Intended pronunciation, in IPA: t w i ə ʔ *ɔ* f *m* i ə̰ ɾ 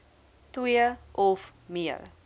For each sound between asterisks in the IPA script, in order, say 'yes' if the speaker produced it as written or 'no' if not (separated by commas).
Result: yes, yes